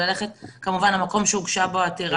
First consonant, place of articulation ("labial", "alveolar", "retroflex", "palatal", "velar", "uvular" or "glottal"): alveolar